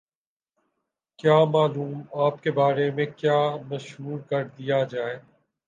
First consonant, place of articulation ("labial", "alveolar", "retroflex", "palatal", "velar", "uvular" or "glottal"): velar